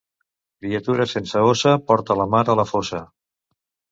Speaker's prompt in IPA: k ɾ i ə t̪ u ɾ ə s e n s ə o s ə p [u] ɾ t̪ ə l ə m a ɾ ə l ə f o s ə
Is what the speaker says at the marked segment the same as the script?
no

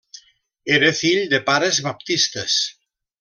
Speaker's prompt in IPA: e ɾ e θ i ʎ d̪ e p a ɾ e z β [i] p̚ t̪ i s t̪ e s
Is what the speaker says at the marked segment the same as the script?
no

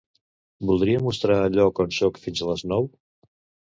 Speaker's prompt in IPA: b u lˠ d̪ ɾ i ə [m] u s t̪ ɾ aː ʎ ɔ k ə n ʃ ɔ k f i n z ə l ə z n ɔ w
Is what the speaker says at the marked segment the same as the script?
yes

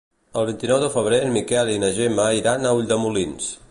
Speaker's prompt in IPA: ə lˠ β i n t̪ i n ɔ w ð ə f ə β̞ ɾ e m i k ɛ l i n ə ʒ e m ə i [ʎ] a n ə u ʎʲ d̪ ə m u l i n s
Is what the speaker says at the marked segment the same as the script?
no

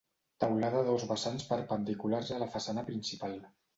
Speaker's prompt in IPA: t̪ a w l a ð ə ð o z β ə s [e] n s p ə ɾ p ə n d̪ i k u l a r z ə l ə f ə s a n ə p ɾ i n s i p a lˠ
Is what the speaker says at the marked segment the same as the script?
no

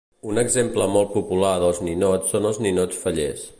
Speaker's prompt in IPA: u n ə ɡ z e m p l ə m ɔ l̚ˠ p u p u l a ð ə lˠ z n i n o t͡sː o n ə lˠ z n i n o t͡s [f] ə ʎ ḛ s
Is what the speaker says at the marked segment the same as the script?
yes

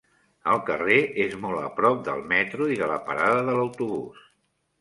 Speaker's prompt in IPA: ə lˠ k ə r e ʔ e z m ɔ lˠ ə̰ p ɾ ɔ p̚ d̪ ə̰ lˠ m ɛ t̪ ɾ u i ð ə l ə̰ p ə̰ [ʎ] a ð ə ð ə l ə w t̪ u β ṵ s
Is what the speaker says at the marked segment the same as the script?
no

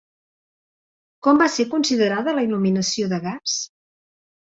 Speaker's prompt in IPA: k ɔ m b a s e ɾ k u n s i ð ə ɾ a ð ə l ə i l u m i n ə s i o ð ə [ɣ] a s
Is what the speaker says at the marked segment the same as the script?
yes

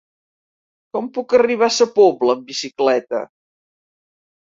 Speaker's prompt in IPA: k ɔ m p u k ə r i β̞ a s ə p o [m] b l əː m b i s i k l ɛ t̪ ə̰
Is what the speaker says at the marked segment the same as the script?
no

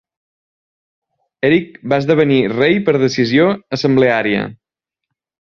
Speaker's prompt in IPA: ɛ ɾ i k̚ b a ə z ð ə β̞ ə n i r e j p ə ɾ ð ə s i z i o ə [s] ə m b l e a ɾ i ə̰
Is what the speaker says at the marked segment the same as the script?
yes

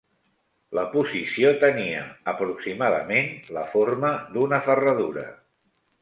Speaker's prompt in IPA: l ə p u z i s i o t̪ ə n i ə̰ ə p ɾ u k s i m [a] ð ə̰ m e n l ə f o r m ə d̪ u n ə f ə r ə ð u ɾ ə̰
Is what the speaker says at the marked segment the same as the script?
yes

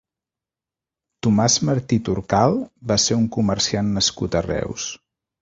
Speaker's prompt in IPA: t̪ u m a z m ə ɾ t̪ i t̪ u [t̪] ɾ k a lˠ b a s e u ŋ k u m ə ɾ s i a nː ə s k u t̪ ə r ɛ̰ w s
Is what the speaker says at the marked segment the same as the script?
no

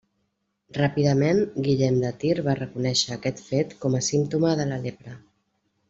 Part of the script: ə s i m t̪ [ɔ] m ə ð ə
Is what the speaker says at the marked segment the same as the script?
no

